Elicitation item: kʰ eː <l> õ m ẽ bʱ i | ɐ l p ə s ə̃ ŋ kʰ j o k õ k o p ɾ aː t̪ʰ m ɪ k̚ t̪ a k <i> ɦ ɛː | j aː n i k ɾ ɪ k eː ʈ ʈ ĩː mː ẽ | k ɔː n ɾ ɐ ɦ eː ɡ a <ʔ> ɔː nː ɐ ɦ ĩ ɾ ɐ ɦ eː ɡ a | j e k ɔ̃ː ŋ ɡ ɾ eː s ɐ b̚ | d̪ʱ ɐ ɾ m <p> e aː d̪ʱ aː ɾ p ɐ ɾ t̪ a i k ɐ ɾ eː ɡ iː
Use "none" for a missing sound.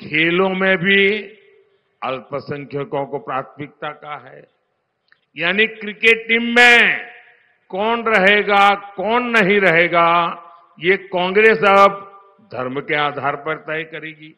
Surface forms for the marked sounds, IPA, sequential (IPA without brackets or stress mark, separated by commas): l, a, k, k